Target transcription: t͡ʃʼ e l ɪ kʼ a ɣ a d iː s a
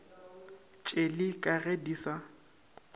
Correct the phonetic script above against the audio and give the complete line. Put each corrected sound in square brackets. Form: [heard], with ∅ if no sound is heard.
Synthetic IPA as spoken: t͡ʃʼ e l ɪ kʼ a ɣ [e] d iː s a